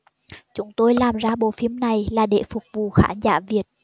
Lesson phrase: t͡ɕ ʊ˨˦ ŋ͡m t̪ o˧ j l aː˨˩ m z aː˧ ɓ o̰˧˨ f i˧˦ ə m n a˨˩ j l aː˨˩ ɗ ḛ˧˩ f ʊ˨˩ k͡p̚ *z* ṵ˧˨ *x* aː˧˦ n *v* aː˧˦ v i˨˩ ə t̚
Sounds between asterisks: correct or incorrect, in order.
incorrect: v, correct, incorrect: z

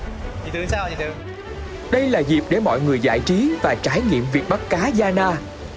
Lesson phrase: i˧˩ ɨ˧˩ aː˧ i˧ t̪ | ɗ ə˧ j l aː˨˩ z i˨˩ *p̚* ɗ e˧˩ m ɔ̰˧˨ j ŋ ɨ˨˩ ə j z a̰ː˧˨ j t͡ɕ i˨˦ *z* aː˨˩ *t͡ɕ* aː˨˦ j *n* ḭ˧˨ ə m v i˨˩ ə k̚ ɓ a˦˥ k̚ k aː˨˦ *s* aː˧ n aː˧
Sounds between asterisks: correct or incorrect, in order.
correct, incorrect: v, correct, incorrect: ŋ, incorrect: z

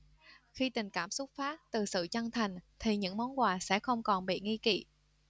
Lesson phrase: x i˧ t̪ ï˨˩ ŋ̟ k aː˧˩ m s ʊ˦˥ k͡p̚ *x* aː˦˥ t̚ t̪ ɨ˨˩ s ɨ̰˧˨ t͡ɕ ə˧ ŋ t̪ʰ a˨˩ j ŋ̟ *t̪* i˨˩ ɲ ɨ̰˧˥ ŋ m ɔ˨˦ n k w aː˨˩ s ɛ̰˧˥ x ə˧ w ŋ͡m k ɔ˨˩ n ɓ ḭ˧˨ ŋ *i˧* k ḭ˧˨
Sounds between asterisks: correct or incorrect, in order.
incorrect: f, incorrect: t̪ʰ, correct

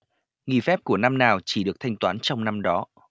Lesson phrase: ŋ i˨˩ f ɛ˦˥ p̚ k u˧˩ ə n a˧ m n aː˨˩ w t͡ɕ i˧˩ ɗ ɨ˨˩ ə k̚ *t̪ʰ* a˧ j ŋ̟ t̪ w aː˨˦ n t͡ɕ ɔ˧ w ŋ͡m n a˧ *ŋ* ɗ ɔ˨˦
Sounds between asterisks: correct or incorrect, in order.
correct, incorrect: m

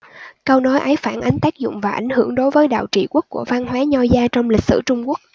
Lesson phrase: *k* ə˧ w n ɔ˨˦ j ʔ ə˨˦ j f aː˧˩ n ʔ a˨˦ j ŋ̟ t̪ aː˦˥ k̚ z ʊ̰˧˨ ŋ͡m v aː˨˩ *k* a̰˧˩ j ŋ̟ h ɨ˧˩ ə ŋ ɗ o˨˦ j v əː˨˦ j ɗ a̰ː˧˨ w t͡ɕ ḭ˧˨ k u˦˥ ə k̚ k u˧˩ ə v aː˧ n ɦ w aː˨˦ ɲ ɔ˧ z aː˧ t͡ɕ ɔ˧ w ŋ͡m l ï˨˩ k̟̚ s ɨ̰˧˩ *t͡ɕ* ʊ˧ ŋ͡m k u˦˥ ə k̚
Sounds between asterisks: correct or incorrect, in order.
correct, incorrect: ʔ, correct

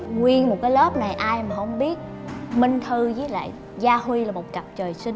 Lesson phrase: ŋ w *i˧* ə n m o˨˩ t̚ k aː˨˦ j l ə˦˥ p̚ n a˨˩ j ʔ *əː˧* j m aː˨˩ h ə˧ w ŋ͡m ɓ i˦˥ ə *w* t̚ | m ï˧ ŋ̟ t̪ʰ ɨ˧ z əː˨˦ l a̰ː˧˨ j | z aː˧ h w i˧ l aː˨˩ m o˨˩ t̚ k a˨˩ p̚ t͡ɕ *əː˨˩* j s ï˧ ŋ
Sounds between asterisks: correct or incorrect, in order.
correct, incorrect: aː˧, incorrect: none, correct

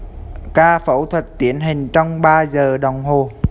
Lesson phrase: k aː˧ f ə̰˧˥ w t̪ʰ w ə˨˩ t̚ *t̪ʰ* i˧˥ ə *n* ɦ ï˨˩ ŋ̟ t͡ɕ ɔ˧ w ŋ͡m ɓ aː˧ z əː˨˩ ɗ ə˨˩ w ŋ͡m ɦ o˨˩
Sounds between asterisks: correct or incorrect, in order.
incorrect: t̪, correct

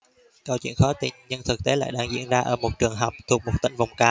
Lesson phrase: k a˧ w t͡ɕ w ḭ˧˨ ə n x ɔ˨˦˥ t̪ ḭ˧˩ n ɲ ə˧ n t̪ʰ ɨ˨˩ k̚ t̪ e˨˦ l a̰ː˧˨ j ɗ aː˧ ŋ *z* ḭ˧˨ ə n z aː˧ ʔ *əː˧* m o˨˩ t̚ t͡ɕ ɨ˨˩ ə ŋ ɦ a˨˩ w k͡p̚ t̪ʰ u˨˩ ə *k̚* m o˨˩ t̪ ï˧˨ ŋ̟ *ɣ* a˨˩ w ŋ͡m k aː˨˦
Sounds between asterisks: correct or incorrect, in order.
correct, incorrect: əː˧˩, correct, incorrect: v

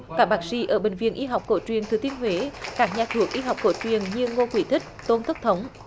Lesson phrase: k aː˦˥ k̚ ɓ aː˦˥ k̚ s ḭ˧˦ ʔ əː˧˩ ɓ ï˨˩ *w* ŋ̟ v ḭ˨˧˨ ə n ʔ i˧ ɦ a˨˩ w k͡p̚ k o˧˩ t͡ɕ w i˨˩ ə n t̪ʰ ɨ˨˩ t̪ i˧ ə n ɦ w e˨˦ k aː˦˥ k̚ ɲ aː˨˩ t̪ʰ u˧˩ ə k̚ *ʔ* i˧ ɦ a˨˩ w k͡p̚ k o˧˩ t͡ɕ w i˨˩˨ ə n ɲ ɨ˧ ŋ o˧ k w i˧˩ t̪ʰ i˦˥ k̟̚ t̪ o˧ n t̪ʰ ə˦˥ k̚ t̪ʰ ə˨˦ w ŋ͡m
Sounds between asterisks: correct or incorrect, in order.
incorrect: none, correct

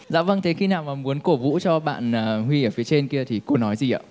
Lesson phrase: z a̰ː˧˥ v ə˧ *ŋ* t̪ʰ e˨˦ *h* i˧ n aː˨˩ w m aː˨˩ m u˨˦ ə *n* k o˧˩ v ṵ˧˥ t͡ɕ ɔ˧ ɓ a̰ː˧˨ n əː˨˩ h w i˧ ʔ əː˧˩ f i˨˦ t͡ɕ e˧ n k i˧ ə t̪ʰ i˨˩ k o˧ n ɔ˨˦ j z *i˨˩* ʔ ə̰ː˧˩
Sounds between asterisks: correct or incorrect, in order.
correct, incorrect: x, correct, correct

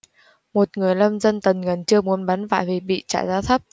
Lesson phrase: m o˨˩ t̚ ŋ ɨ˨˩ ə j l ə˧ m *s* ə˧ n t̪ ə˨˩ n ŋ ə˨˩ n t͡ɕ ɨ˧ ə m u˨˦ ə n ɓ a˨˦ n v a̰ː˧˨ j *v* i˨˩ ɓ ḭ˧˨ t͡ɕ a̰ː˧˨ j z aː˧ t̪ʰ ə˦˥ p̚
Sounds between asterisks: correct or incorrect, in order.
incorrect: z, correct

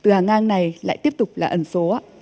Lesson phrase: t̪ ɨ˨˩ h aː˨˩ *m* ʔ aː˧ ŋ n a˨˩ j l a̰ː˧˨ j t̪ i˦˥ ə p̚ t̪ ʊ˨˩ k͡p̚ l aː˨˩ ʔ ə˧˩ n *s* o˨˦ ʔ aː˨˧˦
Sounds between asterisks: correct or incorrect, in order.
incorrect: ŋ, correct

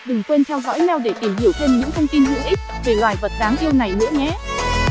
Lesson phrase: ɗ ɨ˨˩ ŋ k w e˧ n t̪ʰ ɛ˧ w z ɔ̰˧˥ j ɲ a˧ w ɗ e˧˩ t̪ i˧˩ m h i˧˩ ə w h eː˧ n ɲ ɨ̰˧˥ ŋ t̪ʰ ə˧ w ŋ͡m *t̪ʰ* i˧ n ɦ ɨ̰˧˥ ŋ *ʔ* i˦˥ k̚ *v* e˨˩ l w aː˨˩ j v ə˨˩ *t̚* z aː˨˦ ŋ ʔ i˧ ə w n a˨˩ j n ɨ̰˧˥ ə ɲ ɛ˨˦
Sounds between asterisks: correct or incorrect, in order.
incorrect: t̪, correct, correct, correct

